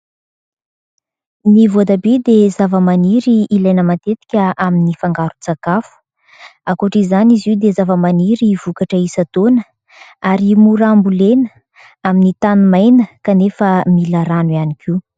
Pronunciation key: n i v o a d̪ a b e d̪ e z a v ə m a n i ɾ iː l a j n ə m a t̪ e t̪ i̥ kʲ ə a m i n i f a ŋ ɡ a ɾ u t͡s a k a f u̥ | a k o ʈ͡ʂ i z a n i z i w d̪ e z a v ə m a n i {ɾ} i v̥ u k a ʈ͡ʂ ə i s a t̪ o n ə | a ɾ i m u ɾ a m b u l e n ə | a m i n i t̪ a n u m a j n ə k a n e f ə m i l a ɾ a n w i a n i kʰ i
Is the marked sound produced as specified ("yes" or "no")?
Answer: yes